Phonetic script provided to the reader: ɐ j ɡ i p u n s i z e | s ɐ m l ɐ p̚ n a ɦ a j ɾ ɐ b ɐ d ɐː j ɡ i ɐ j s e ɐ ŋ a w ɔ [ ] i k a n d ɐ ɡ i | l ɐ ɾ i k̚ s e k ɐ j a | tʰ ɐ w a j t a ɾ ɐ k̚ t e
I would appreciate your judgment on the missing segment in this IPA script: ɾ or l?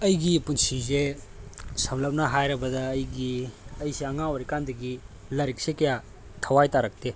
ɾ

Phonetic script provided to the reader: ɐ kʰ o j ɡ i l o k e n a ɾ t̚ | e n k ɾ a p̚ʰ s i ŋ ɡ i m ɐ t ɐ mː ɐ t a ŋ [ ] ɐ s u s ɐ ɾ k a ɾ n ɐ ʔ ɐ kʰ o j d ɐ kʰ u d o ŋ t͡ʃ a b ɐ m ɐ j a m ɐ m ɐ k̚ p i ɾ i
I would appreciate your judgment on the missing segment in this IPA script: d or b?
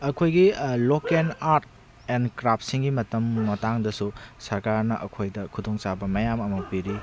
d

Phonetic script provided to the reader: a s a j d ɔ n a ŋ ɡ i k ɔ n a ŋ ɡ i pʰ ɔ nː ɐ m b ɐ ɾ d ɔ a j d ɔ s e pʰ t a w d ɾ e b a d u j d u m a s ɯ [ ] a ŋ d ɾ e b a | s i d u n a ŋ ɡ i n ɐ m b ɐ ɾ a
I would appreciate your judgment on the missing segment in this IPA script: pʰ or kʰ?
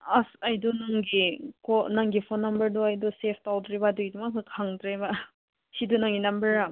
kʰ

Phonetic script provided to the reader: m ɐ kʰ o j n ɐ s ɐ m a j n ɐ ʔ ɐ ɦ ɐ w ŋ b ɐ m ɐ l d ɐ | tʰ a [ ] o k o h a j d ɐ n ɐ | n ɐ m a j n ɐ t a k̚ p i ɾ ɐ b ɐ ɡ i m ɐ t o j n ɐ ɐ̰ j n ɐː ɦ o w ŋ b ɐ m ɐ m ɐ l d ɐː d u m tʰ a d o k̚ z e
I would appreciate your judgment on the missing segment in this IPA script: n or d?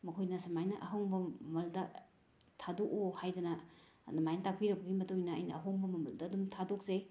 d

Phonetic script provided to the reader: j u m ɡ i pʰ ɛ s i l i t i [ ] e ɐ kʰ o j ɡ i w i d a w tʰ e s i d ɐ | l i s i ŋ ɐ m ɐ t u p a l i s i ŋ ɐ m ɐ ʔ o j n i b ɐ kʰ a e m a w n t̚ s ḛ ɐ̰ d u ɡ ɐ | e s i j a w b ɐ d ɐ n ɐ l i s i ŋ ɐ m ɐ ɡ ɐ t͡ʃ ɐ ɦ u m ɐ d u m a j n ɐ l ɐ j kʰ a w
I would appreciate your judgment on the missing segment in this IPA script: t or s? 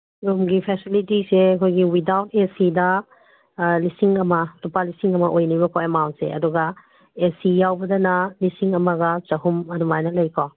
s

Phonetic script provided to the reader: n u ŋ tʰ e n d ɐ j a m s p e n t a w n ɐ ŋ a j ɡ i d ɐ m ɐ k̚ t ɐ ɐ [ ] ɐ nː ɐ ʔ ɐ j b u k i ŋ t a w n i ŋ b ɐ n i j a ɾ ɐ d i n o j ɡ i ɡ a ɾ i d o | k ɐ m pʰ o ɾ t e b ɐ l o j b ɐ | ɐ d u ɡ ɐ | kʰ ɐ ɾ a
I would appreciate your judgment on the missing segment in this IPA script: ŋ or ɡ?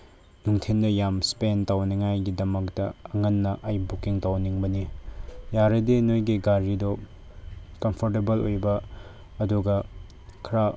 ŋ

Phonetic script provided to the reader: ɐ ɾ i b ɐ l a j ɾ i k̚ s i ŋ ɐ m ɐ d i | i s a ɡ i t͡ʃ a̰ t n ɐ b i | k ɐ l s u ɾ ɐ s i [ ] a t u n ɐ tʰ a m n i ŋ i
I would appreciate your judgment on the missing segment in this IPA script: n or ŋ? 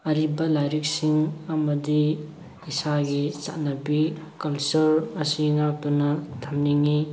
ŋ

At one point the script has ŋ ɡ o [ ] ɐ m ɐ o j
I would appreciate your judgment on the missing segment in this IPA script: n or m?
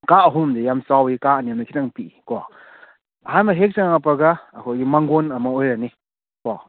n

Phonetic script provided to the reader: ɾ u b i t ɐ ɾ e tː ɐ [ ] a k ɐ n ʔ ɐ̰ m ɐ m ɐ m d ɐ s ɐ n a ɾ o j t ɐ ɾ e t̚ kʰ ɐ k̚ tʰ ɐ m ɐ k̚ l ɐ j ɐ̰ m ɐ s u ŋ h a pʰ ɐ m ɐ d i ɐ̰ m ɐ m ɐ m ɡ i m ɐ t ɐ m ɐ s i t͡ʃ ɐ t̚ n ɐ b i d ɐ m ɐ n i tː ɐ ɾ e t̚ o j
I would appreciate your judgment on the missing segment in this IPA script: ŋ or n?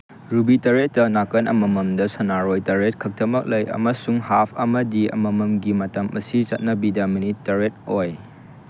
n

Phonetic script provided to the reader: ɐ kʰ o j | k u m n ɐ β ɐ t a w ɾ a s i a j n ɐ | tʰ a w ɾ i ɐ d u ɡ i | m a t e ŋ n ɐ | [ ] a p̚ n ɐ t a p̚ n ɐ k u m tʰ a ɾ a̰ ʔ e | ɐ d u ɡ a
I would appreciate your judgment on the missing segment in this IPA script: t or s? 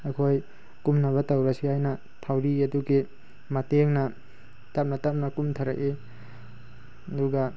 t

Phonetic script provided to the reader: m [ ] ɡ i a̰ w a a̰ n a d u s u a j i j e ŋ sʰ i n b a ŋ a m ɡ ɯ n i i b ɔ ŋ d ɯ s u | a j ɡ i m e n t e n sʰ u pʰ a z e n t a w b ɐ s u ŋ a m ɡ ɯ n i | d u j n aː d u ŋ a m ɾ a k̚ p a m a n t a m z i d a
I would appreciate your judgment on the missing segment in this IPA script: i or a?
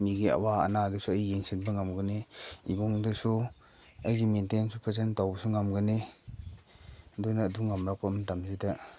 i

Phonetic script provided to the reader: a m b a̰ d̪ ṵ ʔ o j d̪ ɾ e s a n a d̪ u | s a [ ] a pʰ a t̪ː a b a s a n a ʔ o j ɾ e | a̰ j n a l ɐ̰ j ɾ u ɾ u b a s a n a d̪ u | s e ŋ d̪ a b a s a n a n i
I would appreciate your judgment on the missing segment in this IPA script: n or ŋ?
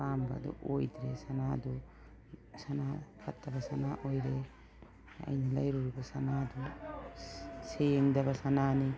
n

